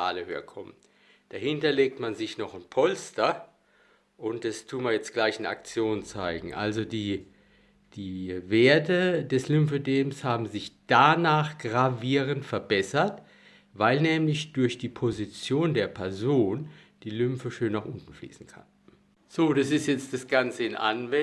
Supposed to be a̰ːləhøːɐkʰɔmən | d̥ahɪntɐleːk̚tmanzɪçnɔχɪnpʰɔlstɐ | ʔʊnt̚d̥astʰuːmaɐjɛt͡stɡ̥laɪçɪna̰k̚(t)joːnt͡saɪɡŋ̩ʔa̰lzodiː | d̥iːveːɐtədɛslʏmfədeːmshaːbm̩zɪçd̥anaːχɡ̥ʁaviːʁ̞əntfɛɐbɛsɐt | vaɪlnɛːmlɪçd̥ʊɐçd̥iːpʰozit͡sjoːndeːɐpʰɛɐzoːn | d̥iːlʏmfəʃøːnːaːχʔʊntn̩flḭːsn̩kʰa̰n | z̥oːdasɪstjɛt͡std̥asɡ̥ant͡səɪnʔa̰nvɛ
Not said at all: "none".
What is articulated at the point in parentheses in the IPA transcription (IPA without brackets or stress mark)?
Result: t͡s